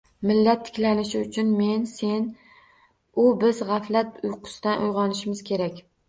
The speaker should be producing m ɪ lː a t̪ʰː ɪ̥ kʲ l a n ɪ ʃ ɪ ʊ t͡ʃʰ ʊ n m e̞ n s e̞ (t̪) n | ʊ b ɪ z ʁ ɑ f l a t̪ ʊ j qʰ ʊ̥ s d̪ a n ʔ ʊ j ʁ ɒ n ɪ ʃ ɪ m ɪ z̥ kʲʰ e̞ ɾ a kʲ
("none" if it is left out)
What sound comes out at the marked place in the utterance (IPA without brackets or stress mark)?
none